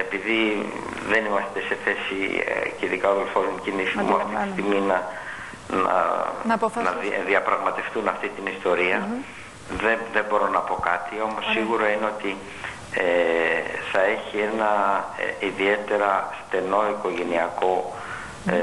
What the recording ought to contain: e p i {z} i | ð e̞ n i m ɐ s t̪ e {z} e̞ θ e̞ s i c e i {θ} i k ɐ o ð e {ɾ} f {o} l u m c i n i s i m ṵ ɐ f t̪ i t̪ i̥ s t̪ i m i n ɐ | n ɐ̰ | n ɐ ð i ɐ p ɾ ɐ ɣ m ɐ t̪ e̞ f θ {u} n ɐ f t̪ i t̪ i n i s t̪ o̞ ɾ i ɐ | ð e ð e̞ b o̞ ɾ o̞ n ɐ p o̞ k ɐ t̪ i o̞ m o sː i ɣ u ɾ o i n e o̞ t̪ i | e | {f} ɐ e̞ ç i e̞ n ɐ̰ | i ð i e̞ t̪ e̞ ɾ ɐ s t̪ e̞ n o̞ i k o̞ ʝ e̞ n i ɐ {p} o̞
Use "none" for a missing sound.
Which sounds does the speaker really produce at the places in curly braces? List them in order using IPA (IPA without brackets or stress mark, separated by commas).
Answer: ð, s, ð, l, o, u, θ, k